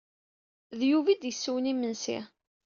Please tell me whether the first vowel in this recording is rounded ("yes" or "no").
yes